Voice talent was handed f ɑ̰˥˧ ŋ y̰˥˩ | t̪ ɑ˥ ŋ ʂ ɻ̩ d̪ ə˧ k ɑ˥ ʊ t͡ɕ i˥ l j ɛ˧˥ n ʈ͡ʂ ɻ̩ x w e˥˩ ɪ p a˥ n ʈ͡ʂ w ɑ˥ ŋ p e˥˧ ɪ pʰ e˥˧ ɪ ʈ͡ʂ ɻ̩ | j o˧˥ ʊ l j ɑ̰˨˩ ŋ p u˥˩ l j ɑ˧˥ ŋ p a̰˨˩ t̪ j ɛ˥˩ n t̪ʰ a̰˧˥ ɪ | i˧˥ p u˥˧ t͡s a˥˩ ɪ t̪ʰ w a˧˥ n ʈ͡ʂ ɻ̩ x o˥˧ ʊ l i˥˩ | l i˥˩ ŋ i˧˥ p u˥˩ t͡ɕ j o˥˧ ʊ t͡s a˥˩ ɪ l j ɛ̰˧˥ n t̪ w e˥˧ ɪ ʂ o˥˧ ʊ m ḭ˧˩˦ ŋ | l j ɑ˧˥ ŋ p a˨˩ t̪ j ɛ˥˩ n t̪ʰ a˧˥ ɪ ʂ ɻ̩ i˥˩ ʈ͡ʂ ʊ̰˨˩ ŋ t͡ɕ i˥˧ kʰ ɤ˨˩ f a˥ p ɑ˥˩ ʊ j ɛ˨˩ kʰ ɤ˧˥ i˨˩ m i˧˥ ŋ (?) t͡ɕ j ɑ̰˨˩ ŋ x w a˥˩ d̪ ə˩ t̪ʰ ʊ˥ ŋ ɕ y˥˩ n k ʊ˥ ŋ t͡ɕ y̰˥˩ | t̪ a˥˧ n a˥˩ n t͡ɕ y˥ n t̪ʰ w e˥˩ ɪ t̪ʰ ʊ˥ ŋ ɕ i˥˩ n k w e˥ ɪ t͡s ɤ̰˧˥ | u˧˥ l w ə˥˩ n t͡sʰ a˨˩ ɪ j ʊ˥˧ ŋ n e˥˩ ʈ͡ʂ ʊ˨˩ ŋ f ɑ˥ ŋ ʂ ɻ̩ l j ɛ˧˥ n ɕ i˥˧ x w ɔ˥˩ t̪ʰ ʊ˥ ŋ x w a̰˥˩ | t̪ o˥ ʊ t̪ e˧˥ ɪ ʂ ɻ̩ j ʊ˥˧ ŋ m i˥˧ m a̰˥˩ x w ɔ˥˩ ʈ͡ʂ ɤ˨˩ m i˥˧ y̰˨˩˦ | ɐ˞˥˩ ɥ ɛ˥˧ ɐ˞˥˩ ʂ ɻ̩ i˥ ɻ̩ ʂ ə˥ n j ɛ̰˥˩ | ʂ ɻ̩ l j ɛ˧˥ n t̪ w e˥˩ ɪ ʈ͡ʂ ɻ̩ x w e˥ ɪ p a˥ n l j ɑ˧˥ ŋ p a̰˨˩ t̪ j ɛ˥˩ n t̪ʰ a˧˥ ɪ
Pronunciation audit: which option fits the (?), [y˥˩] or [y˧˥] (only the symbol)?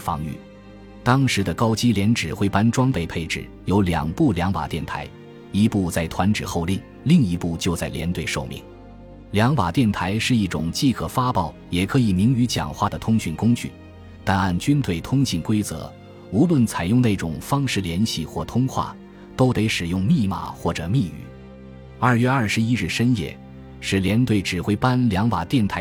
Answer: y˧˥